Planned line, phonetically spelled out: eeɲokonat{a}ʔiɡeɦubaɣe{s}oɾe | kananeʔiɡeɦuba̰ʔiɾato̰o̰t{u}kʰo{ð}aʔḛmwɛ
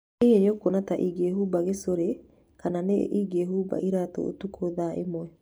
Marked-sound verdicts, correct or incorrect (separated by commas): correct, correct, correct, correct